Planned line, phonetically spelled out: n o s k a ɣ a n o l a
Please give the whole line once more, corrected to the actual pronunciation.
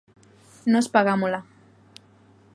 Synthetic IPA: n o s p a ɣ a m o l a